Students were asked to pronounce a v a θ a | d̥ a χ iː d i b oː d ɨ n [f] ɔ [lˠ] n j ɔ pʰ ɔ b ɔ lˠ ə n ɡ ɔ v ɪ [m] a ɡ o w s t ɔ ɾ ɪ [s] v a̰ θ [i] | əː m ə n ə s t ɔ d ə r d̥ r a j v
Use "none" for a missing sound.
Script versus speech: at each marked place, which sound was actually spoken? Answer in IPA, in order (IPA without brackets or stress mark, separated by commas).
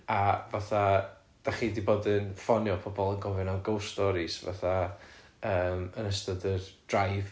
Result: f, none, n, s, a